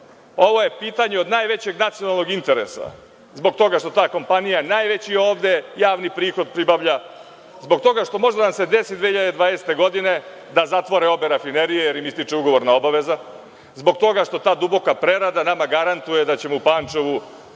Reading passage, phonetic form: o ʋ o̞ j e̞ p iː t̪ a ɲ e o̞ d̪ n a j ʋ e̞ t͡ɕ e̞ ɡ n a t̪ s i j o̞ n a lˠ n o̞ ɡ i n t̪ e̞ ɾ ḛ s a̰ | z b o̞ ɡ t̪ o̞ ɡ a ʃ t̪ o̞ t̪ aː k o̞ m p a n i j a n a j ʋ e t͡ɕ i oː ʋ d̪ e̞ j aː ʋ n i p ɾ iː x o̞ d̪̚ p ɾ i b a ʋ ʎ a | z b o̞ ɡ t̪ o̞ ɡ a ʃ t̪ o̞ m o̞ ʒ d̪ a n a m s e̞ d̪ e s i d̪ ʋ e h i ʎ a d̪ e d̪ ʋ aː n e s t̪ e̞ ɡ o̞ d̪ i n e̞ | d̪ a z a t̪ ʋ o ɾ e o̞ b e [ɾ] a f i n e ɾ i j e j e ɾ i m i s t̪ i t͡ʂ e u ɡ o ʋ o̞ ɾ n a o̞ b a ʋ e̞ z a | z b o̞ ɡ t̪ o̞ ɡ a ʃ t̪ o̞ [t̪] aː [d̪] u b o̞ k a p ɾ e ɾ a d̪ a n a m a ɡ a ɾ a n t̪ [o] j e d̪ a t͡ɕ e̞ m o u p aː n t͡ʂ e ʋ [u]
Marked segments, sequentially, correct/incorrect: correct, correct, correct, incorrect: u, correct

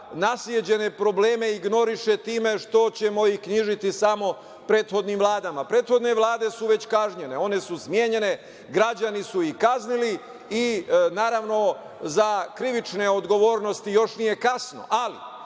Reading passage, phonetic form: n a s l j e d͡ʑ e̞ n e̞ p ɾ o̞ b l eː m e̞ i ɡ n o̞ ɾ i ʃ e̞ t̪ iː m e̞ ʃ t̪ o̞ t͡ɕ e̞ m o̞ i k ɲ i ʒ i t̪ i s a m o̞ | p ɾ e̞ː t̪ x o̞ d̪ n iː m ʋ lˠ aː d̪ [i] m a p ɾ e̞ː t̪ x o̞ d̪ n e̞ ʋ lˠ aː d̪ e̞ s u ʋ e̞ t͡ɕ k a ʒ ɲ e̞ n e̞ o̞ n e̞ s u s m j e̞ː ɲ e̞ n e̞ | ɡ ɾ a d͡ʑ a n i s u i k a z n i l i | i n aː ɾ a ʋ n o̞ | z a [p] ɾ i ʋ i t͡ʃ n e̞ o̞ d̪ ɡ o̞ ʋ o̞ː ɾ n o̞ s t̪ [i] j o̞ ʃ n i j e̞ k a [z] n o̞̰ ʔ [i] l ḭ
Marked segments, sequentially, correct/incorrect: incorrect: a, incorrect: k, correct, incorrect: s, incorrect: a

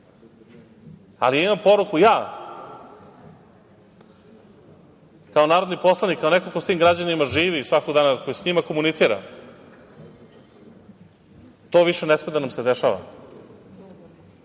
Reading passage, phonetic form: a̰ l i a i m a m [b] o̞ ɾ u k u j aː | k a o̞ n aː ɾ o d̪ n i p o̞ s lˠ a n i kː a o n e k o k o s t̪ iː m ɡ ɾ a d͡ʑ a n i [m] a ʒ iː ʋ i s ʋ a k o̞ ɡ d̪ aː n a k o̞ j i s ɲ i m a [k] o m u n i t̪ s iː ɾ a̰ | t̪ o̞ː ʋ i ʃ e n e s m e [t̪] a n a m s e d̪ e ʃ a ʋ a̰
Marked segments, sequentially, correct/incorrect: incorrect: p, correct, correct, incorrect: d̪

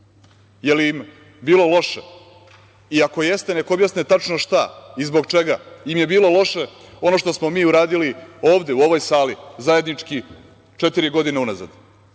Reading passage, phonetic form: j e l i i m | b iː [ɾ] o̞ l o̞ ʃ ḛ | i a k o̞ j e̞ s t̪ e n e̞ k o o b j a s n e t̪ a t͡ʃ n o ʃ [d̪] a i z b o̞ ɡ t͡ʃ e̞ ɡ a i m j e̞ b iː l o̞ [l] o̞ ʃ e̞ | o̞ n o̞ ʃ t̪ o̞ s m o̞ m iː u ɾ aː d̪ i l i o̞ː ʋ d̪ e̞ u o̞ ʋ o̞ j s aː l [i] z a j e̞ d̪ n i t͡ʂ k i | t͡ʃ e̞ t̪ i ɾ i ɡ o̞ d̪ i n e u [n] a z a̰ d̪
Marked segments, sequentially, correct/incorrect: incorrect: l, incorrect: t̪, correct, correct, correct

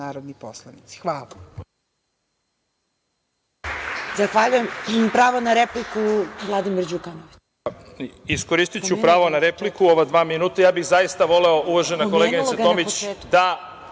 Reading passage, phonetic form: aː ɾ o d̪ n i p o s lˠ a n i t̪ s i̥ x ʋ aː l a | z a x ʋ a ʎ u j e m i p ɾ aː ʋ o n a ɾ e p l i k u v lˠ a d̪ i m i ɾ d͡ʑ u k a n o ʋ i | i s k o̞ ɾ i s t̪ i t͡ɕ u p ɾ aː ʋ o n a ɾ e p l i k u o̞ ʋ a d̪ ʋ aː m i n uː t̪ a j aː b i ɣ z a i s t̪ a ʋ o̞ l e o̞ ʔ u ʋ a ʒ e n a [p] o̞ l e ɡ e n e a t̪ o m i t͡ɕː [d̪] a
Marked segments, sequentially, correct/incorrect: incorrect: k, correct

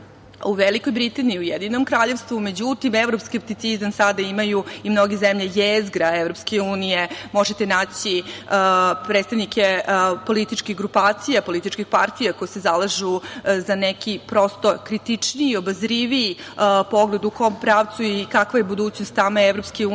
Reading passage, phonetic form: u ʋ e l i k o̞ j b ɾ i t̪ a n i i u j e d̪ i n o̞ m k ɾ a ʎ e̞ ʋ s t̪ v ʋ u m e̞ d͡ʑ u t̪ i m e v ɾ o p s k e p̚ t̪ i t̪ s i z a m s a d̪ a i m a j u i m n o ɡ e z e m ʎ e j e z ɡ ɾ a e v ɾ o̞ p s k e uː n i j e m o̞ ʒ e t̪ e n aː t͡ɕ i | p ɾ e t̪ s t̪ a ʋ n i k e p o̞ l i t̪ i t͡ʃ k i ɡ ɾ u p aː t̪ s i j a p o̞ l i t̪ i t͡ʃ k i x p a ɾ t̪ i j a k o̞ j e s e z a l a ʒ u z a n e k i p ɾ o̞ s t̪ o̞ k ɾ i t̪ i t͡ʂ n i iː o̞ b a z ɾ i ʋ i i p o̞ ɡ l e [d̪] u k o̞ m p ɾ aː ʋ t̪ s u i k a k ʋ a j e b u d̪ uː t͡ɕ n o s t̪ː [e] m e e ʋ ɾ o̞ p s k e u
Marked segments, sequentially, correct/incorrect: correct, incorrect: a

